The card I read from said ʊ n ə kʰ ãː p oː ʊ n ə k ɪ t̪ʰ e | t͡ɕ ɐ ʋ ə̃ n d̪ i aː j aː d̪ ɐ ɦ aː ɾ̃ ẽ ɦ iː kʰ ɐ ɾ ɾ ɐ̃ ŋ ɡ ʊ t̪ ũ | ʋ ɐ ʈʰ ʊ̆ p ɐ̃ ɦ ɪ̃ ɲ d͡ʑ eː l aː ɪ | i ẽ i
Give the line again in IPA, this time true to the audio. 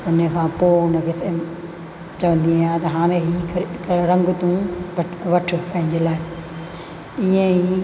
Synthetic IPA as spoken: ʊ n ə kʰ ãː p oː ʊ n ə k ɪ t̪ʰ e | t͡ɕ ɐ ʋ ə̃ n d̪ i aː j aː t̪ ɐ ɦ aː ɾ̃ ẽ ɦ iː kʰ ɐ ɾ ɾ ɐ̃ ŋ ɡ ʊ t̪ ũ | ʋ ɐ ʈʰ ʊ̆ p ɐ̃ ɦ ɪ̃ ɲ d͡ʑ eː l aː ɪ | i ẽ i